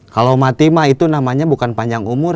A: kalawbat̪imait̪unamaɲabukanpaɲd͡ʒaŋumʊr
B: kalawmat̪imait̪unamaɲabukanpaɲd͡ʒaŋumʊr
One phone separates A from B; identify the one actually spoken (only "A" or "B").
B